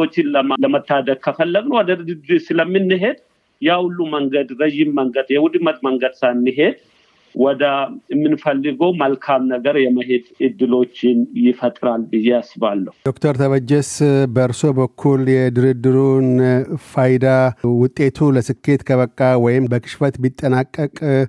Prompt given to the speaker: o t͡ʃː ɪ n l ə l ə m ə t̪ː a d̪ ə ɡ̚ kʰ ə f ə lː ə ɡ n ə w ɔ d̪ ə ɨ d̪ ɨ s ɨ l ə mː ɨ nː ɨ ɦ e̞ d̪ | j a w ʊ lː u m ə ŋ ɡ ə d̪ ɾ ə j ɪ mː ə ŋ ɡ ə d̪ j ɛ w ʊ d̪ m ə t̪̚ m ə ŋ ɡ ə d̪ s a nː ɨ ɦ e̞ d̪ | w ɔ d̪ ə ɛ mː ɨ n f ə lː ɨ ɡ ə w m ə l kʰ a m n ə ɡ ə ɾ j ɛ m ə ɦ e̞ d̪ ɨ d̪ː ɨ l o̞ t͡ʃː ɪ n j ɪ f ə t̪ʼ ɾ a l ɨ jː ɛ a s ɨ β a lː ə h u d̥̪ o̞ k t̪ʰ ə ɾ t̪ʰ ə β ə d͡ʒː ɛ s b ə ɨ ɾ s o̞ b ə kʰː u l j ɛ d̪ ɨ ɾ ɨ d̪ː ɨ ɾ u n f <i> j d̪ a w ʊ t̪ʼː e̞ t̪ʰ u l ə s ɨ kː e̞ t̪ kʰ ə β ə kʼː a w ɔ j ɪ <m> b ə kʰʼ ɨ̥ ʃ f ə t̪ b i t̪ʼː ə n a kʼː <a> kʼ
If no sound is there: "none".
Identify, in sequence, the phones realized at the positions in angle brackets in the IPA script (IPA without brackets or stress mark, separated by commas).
a, m, ə